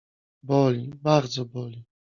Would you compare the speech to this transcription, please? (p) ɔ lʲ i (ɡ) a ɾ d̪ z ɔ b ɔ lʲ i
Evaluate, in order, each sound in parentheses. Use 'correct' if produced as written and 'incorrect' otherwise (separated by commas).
incorrect, incorrect